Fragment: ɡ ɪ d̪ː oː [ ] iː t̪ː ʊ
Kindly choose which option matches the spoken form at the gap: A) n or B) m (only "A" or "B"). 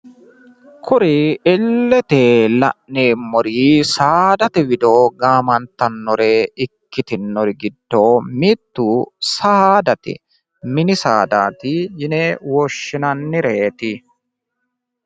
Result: B